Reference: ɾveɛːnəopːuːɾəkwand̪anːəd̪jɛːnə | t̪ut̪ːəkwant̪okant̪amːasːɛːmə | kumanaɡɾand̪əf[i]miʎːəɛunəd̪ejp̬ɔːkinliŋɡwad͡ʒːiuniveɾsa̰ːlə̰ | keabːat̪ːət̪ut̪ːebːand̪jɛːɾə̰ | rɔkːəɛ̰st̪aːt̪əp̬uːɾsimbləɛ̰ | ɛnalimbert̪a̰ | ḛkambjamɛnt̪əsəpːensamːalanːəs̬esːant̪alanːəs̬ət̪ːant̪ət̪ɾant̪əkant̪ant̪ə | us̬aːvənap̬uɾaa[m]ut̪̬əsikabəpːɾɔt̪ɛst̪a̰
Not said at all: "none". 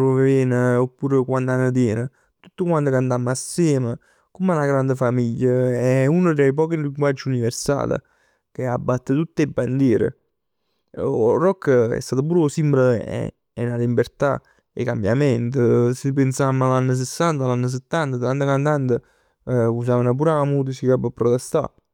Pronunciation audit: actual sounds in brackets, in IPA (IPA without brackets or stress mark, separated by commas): a, m